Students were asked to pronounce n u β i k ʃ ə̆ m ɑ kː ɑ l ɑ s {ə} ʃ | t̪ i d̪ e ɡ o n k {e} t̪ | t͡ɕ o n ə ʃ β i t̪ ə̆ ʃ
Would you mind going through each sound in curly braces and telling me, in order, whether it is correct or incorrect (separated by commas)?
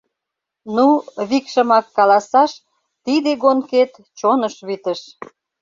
incorrect, correct